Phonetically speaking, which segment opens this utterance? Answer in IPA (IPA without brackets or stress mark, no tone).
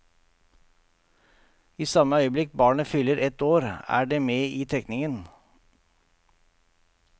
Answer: iː